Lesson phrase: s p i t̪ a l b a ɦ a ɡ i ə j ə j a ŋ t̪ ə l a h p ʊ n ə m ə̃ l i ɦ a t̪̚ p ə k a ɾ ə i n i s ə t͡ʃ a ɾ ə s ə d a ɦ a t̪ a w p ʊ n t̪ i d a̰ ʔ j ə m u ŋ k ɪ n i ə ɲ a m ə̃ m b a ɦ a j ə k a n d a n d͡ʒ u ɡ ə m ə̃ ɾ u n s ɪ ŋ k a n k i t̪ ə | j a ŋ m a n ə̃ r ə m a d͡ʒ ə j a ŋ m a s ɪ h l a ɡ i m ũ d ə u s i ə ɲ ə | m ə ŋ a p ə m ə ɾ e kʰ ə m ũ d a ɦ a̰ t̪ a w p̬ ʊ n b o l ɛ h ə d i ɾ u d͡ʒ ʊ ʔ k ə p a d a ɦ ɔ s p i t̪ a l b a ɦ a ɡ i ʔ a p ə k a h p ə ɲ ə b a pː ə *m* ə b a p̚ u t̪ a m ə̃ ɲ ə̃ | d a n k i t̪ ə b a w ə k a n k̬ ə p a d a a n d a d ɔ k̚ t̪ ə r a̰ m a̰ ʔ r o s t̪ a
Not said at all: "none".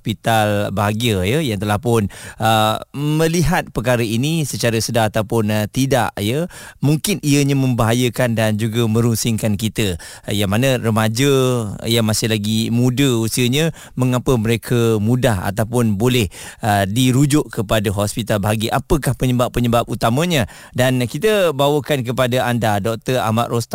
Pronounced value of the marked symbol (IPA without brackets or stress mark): ɲ